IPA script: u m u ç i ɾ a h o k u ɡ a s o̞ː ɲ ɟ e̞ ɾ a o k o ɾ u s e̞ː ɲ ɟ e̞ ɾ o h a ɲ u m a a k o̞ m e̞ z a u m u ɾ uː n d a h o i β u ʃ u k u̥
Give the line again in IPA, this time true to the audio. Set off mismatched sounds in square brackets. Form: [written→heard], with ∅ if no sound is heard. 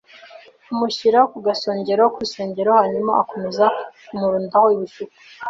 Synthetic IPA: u m u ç i ɾ a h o k u ɡ a s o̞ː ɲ ɟ e̞ ɾ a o k [o→u] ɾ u s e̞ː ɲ ɟ e̞ ɾ o h a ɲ u m a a k o̞ m e̞ z a u m u ɾ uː n d a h o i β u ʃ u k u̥